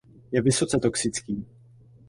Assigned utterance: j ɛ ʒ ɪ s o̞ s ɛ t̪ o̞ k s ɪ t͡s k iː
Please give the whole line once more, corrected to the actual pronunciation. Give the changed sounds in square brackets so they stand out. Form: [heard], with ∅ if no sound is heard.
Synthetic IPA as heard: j ɛ [v] ɪ s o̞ [t͡s] ɛ t̪ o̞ k s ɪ t͡s k iː